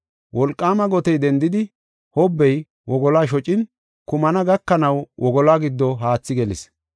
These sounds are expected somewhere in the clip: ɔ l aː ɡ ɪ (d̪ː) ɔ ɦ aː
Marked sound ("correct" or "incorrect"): correct